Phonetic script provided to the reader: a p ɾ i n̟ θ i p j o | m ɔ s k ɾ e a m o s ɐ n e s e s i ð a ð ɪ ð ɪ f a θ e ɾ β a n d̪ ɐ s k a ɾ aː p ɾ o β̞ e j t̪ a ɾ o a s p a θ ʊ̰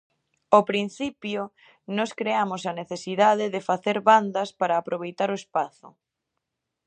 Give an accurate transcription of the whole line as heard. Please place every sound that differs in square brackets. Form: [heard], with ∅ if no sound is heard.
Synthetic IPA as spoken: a p ɾ i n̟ θ i p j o | [n] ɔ s k ɾ e a m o s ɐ n e [θ] e s i ð a ð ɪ ð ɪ f a θ e ɾ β a n d̪ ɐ s [p] a ɾ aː p ɾ o β̞ e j t̪ a ɾ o [e] s p a θ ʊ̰